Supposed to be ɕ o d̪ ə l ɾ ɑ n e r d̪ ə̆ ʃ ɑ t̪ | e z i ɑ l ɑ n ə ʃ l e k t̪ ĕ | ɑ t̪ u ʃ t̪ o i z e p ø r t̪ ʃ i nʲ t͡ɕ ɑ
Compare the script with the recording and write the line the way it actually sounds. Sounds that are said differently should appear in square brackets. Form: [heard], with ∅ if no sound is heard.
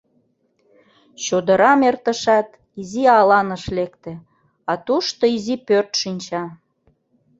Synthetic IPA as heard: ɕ o d̪ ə [∅] ɾ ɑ [m] e r [t̪] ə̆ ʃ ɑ t̪ | [i] z i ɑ l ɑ n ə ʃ l e k t̪ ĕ | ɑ t̪ u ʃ t̪ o i z [i] p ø r t̪ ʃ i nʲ t͡ɕ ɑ